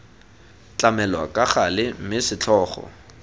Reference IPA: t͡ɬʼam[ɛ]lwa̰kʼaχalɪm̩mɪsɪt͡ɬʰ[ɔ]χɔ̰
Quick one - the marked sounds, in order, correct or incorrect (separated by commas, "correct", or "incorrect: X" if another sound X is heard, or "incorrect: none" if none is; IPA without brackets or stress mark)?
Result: correct, incorrect: ɔː